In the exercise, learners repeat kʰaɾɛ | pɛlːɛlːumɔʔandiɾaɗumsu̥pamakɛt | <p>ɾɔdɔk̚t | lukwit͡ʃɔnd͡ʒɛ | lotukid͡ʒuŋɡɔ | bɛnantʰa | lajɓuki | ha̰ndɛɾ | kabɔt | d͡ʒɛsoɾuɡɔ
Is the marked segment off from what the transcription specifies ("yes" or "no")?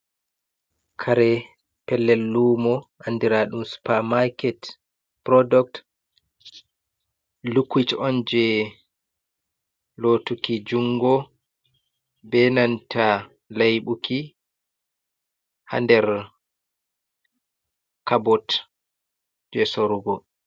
no